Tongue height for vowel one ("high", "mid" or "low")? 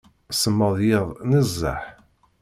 mid